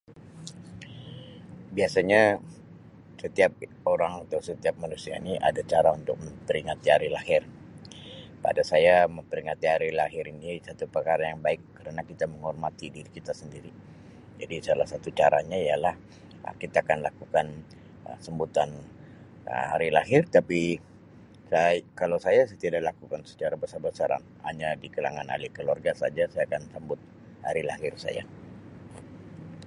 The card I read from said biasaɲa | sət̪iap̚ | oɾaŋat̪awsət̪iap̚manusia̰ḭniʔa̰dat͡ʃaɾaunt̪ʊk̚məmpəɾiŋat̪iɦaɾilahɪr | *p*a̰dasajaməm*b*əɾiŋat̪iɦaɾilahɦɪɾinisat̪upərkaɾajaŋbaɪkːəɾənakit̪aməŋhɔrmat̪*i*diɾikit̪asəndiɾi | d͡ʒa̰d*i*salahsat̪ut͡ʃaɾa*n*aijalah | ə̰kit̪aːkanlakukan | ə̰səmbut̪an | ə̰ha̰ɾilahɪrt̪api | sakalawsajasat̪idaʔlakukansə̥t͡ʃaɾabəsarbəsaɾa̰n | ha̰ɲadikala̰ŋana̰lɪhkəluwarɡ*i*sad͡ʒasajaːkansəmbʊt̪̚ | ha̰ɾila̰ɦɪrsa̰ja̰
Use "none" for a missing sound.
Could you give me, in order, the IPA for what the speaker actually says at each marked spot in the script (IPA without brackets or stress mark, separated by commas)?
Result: p, p, i, i, ɲ, a